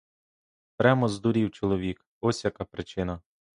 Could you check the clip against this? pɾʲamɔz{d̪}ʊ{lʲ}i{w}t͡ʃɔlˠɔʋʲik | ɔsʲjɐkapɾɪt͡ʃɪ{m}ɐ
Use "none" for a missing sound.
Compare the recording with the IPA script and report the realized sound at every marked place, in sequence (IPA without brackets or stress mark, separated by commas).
d̪, ɾʲ, w, n